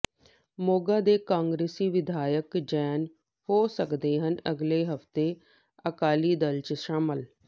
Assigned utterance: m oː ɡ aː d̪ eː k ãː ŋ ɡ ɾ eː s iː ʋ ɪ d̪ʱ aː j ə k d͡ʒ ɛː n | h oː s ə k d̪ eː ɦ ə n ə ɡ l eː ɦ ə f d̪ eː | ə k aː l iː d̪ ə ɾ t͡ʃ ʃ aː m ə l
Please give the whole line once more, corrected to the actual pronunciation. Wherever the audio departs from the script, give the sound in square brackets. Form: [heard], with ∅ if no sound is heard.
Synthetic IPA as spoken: m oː ɡ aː d̪ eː k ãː ŋ ɡ ɾ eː s iː ʋ ɪ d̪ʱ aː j ə k d͡ʒ ɛː n | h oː s ə k d̪ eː ɦ ə n ə ɡ l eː ɦ ə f [t̪] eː | ə k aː l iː d̪ ə [l] t͡ʃ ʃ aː m ə l